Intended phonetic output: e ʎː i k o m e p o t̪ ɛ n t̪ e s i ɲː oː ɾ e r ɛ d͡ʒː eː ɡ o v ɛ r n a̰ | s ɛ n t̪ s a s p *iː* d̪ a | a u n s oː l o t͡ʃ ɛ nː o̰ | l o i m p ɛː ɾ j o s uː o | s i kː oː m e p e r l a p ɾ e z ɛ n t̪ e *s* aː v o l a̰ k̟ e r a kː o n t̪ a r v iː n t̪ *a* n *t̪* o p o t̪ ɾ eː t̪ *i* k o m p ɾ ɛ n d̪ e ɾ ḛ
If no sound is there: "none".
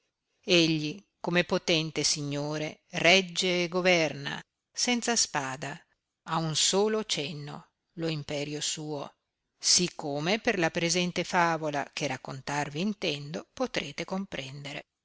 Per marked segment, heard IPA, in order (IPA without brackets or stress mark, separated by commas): aː, f, ɛ, d̪, e